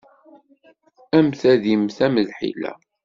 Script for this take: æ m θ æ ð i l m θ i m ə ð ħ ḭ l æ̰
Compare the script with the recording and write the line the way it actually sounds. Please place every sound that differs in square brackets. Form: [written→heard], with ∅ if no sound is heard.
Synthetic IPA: æ m θ æ ð i [l→∅] m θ [i→æ] m ə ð ħ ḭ l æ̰